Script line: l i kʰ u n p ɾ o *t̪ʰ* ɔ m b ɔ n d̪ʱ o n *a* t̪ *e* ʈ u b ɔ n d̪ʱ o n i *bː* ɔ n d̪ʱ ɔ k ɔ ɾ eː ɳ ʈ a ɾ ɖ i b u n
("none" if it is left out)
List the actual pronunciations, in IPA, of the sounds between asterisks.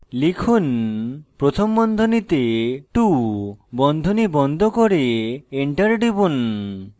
t̪ʰ, i, e, b

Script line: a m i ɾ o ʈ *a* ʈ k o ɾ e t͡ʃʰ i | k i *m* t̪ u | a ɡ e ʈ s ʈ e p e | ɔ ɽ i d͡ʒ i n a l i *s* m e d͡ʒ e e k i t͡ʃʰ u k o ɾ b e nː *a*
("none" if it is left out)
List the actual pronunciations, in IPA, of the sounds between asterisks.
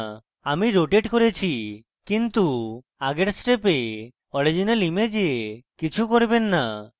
e, n, none, a

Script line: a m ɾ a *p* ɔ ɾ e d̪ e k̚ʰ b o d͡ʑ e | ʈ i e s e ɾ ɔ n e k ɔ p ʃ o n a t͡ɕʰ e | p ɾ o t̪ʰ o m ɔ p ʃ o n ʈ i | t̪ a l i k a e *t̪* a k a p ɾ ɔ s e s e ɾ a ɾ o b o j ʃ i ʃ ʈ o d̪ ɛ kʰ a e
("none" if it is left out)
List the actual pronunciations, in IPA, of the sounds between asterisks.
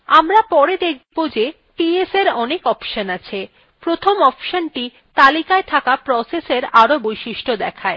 p, t̪ʰ

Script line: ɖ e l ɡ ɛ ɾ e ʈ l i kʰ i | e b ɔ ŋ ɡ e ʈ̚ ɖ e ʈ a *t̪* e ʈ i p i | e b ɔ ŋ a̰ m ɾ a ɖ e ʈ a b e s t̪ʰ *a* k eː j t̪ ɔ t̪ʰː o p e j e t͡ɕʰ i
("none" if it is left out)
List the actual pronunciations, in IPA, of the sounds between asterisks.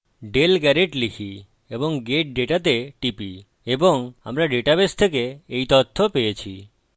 t̪, e

